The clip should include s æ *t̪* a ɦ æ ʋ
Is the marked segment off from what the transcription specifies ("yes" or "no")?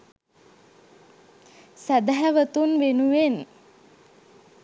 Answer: yes